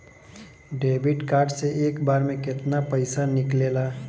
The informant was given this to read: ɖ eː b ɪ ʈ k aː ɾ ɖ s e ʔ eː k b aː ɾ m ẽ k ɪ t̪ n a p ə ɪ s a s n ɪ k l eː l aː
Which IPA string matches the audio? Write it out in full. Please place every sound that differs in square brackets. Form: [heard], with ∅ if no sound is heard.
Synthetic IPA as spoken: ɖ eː b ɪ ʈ k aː ɾ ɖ s e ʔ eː k b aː ɾ m ẽ k ɪ t̪ n a p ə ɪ s a [∅] n ɪ k l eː l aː